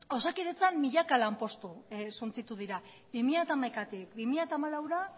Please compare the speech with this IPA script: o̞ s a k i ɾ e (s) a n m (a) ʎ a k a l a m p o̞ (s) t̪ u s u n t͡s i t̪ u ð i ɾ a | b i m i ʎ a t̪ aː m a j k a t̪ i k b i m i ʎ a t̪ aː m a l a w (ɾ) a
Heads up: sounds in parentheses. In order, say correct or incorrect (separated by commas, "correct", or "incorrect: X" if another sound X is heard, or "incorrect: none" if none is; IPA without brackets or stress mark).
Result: incorrect: t͡s, incorrect: i, correct, correct